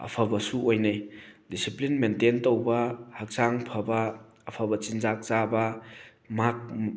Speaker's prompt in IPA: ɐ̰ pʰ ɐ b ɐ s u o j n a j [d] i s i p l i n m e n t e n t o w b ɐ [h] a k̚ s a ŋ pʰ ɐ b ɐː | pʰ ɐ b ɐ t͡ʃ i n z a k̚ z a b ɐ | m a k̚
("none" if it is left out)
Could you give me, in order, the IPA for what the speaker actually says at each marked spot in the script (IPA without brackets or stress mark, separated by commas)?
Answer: d, h